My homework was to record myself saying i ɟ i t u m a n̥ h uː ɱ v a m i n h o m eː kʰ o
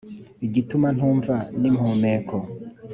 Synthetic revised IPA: i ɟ i t u m a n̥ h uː ɱ v a n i m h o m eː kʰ o

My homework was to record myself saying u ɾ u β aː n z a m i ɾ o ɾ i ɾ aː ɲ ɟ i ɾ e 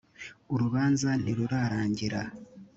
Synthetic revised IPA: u ɾ u β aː n z a n i ɾ u ɾ a ɾ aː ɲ ɟ i ɾ a

